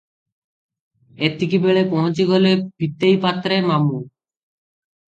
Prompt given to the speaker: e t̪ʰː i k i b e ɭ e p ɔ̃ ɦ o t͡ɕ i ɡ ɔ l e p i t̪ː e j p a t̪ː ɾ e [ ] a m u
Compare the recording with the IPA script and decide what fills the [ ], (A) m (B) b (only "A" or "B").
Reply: A